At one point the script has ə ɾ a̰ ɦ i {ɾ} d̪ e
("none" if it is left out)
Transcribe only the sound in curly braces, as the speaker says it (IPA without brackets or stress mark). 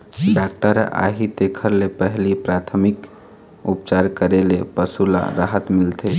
none